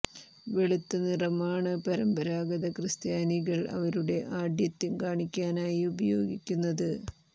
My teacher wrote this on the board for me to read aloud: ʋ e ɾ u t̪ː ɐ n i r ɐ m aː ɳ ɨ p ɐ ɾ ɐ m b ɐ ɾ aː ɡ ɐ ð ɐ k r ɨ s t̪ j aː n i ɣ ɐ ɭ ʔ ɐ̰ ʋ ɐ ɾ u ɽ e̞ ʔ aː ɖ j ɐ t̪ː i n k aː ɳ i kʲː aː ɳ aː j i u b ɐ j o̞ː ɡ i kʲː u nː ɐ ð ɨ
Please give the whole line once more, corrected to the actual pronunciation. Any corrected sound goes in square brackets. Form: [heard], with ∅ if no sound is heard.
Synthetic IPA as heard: ʋ e [ɭ] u t̪ː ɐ n i r ɐ m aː ɳ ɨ p ɐ ɾ ɐ m b ɐ ɾ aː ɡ ɐ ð ɐ k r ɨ s t̪ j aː n i ɣ ɐ ɭ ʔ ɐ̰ ʋ ɐ ɾ u ɽ e̞ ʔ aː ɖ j ɐ t̪ː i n k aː ɳ i kʲː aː [n] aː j i u b ɐ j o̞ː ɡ i kʲː u nː ɐ ð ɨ

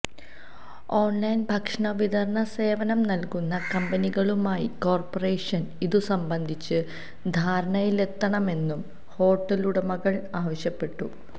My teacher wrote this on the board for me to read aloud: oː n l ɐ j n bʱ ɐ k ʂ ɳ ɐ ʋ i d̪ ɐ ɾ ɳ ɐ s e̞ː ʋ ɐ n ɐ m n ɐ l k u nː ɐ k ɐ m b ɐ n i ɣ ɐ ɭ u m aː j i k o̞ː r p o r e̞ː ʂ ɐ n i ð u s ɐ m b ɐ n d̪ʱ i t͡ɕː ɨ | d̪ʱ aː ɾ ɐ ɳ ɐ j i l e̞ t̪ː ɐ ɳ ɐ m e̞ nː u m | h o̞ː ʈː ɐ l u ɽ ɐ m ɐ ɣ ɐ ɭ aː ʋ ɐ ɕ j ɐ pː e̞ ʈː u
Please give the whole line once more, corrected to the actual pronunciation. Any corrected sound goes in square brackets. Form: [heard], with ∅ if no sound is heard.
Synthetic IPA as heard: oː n l ɐ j n bʱ ɐ k ʂ ɳ ɐ ʋ i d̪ ɐ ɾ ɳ ɐ s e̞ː ʋ ɐ n ɐ m n ɐ l k u nː ɐ k ɐ m b ɐ n i ɣ ɐ ɭ u m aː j i k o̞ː r p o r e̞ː ʂ ɐ n i ð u s ɐ m b ɐ n d̪ʱ i t͡ɕː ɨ | d̪ʱ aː ɾ ɐ ɳ ɐ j i l e̞ t̪ː ɐ ɳ ɐ m e̞ nː u m | h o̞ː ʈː ɐ l u ɽ ɐ m ɐ ɣ ɐ ɭ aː ʋ ɐ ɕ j ɐ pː e̞ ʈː u

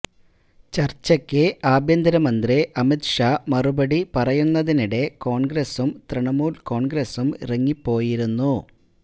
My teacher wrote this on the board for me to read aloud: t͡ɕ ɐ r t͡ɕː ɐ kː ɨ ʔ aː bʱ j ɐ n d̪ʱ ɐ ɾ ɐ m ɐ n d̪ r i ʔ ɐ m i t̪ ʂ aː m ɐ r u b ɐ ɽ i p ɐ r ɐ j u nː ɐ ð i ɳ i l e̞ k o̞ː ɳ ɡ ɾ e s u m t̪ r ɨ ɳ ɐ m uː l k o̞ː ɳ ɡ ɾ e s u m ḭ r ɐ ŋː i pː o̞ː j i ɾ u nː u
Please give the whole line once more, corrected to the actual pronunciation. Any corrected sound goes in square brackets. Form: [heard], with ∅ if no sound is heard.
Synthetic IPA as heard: t͡ɕ ɐ r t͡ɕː ɐ kː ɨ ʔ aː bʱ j ɐ n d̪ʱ ɐ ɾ ɐ m ɐ n d̪ r i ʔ ɐ m i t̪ ʂ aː m ɐ r u b ɐ ɽ i p ɐ r ɐ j u nː ɐ ð i [n] i [ɽ] e̞ k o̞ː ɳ ɡ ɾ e s u m t̪ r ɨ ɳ ɐ m uː l k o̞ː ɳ ɡ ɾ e s u m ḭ r ɐ ŋː i pː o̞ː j i ɾ u nː u

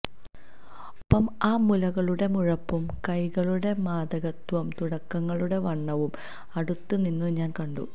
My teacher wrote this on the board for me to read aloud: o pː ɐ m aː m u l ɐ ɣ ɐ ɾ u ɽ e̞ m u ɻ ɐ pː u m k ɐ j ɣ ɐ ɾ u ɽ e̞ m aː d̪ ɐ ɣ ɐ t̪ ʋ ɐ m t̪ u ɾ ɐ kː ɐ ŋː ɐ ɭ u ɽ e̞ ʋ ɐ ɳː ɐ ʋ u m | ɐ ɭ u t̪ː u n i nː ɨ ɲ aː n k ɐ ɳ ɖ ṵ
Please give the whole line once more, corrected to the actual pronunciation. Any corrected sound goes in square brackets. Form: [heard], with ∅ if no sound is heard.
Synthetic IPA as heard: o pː ɐ m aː m u l ɐ ɣ ɐ [ɭ] u ɽ e̞ m u ɻ ɐ pː u m k ɐ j ɣ ɐ [ɭ] u ɽ e̞ m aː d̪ ɐ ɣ ɐ t̪ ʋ ɐ m t̪ u [ɽ] ɐ kː ɐ ŋː ɐ ɭ u ɽ e̞ ʋ ɐ ɳː ɐ ʋ u m | ɐ [ɽ] u t̪ː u n i nː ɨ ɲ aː n k ɐ ɳ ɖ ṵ

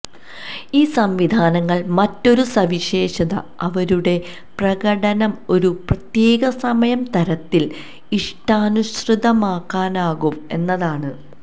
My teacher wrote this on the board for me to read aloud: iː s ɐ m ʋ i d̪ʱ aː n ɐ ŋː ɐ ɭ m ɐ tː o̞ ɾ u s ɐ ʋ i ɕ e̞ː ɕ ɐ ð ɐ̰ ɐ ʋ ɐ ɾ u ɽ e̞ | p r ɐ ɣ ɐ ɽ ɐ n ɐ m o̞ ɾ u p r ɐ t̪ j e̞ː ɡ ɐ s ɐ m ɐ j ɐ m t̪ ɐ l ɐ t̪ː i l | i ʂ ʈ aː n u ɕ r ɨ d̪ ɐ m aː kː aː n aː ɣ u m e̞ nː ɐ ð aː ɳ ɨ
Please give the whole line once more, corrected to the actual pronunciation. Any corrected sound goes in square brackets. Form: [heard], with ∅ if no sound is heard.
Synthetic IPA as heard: iː s ɐ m ʋ i d̪ʱ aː n ɐ ŋː ɐ ɭ m ɐ tː o̞ ɾ u s ɐ ʋ i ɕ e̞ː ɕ ɐ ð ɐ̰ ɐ ʋ ɐ ɾ u ɽ e̞ | p r ɐ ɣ ɐ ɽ ɐ n ɐ m o̞ ɾ u p r ɐ t̪ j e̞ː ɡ ɐ s ɐ m ɐ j ɐ m t̪ ɐ [ɾ] ɐ t̪ː i l | i ʂ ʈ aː n u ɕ r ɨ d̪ ɐ m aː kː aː n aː ɣ u m e̞ nː ɐ ð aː ɳ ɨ

